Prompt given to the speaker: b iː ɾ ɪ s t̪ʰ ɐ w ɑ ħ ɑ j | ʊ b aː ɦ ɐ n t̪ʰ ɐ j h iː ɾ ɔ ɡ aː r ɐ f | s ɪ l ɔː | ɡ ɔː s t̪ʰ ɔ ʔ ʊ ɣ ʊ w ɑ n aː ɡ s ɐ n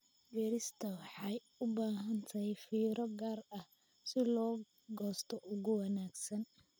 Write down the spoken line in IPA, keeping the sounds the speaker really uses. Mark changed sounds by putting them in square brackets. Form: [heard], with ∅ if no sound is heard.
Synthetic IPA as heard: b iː ɾ ɪ s t̪ʰ ɐ w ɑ ħ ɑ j | ʊ b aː ɦ ɐ n t̪ʰ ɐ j [f] iː ɾ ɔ ɡ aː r ɐ [h] | s ɪ l ɔː | ɡ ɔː s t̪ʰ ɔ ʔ ʊ ɣ ʊ w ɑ n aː ɡ s ɐ n